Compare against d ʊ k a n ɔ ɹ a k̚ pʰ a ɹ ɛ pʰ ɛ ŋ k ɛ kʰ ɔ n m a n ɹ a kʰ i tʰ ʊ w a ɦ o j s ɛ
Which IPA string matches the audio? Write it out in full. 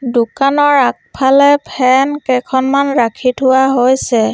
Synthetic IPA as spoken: d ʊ k a n ɔ ɹ a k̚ pʰ a l ɛ pʰ ɛ n k ɛ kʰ ɔ n m a n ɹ a kʰ i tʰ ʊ w a ɦ o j s ɛ